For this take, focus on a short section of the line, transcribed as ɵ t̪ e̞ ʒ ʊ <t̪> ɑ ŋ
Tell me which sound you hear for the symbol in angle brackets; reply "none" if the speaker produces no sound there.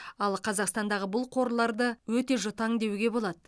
t̪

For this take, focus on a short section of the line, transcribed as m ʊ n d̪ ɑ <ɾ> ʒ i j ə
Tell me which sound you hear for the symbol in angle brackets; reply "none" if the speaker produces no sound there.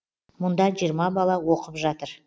none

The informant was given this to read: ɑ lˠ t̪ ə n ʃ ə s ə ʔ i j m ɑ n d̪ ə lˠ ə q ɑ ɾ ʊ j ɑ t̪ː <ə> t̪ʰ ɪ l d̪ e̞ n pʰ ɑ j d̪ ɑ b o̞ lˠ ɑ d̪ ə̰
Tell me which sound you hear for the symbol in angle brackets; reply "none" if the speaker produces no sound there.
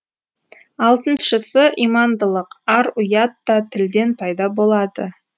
ɑ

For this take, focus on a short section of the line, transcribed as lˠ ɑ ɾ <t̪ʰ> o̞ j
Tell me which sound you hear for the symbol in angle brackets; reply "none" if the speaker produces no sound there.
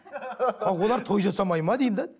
t̪ʰ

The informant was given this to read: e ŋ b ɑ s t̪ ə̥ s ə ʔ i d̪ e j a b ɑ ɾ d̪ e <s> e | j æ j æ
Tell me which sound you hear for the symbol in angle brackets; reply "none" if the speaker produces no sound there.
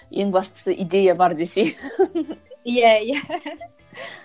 s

